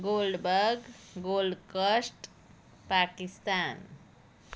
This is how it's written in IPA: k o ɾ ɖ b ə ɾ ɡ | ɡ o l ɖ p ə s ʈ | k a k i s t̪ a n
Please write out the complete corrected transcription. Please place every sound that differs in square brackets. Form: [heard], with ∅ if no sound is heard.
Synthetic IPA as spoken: [ɡ] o [l] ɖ b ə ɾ ɡ | ɡ o l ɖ [k] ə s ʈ | [p] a k i s t̪ a n